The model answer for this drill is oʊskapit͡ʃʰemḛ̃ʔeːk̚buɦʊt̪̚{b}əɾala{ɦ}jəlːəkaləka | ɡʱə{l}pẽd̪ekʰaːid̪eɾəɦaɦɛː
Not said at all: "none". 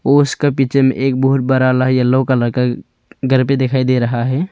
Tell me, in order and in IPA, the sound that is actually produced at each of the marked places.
b, ɦ, ɾ

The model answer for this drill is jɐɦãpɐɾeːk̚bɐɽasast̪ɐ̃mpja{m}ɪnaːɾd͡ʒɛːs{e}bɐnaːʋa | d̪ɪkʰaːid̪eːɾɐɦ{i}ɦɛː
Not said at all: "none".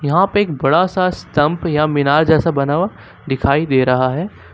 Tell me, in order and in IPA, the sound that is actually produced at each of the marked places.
m, a, a

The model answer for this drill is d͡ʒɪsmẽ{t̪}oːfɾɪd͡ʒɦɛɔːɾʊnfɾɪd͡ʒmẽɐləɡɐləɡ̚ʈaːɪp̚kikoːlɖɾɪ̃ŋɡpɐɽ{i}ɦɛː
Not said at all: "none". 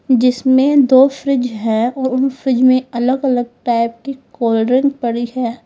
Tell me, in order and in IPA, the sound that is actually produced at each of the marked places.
d̪, i

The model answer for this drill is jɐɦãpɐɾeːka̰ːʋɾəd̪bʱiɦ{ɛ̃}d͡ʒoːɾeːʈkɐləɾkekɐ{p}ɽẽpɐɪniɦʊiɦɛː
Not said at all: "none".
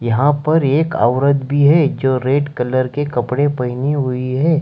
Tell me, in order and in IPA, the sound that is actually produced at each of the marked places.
ɛ, p

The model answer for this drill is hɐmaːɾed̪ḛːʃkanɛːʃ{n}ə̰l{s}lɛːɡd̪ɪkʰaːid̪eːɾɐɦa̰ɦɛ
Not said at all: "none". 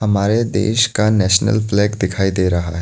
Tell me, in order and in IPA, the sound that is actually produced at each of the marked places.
n, f

